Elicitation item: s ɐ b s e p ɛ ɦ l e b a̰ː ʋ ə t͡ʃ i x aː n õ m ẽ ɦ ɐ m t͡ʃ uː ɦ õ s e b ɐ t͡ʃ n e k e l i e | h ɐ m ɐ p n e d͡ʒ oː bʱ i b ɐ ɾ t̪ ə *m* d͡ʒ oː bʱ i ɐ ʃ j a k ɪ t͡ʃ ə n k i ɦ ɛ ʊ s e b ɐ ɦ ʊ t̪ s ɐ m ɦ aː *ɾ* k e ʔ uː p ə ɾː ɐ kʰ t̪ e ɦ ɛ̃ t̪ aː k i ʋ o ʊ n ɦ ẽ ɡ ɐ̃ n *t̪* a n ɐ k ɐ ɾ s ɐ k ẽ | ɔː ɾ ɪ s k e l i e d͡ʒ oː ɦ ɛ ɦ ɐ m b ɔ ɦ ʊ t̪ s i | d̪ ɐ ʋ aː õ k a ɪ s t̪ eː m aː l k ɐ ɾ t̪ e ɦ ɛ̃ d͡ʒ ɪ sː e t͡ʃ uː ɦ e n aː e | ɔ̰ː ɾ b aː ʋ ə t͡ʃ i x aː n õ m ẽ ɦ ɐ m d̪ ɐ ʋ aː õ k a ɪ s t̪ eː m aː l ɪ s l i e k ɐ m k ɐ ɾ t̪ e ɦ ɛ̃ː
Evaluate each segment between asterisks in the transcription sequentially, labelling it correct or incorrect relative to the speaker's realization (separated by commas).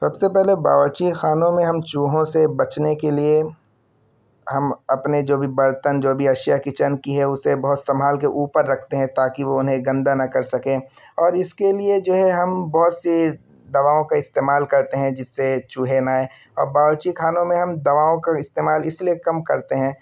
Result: incorrect, incorrect, incorrect